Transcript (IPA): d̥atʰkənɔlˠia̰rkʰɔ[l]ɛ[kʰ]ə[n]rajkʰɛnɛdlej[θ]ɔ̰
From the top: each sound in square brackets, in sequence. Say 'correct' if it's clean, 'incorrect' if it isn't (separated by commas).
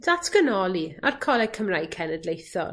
correct, correct, incorrect, correct